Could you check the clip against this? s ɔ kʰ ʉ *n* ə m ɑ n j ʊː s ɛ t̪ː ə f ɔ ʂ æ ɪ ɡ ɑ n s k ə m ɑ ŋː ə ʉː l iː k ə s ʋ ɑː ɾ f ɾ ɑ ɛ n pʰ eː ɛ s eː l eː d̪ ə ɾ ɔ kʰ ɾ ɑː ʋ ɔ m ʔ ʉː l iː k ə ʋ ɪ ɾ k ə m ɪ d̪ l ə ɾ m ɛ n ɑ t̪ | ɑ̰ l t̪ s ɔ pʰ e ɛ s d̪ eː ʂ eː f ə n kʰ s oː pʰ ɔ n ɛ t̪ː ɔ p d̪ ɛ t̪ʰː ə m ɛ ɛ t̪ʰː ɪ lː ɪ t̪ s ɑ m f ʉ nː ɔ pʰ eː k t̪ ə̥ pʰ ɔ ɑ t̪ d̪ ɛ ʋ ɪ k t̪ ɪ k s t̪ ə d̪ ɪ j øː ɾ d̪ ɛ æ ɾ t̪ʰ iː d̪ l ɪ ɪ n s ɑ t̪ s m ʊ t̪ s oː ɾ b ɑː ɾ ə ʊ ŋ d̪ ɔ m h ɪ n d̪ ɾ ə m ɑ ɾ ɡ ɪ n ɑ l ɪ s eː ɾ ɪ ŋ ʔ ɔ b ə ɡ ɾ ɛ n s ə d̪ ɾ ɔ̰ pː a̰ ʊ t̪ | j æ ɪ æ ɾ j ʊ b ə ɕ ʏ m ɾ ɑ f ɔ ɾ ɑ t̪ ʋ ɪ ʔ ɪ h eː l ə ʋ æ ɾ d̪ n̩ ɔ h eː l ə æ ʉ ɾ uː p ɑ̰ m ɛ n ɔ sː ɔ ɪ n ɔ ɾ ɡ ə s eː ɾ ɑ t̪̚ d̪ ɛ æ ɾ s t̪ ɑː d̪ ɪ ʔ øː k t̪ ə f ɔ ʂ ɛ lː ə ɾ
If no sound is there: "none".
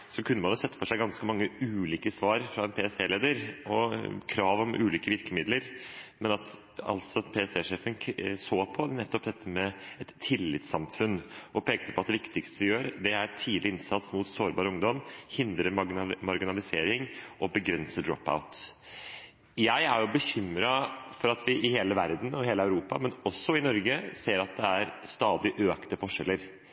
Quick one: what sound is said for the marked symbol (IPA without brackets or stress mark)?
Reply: nː